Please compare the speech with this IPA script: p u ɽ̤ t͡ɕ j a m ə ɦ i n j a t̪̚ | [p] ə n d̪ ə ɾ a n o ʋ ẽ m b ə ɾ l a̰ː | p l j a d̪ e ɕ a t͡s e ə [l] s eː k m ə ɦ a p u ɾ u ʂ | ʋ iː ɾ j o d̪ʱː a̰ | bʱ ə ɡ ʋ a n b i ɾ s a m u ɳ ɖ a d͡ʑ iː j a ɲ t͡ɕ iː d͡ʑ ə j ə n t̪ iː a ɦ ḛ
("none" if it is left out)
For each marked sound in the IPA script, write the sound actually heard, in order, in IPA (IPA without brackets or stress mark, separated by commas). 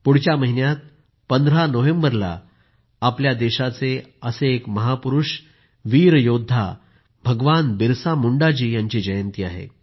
p, none